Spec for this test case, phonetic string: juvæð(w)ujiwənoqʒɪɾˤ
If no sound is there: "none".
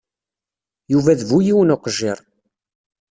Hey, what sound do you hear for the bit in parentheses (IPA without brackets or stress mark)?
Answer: v